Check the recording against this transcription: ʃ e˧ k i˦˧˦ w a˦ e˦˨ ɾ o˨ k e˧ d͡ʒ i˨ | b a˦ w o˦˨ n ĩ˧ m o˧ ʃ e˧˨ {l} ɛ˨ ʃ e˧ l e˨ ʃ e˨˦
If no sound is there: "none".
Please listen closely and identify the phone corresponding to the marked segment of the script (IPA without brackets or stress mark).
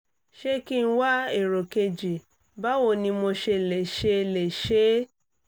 l